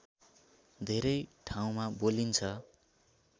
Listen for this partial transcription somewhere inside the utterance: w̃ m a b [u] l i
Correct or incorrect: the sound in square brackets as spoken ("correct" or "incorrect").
incorrect